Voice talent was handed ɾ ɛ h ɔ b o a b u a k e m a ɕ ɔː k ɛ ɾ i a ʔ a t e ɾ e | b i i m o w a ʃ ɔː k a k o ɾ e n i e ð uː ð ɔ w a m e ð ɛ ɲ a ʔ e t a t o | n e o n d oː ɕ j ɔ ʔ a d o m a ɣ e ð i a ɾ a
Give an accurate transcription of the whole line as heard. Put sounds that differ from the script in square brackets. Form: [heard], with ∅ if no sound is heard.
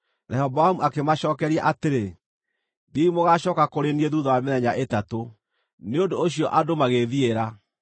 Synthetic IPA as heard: ɾ ɛ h ɔ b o a [m] u a k e m a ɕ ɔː k ɛ ɾ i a ʔ a t e ɾ e | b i i m o [ɣ] a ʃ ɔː k a k o ɾ e n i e ð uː ð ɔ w a m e ð ɛ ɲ a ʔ e t a t o | n e o n d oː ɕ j ɔ ʔ a d o m a ɣ e ð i [e] ɾ a